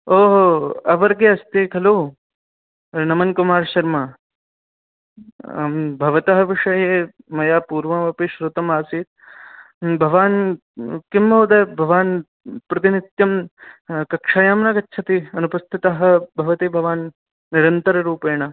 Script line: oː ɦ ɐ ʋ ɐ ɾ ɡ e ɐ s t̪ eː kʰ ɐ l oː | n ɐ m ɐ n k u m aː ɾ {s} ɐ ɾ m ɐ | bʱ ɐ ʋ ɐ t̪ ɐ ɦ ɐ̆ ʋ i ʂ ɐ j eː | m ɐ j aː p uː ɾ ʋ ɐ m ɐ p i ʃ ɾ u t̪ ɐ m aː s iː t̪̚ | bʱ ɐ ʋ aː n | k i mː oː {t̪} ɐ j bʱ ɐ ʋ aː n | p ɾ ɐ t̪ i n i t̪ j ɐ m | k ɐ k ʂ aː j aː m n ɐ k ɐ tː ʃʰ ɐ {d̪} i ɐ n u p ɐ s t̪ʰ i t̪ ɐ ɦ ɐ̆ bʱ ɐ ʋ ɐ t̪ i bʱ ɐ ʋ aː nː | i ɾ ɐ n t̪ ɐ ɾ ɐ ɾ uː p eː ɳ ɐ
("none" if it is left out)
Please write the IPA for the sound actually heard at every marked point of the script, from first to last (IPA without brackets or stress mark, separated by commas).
ʃ, d̪, t̪